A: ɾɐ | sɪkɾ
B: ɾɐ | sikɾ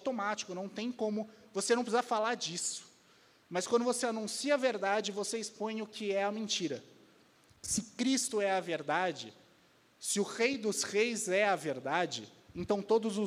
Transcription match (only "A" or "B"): A